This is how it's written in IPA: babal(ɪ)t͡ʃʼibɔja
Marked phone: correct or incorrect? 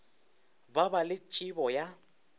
correct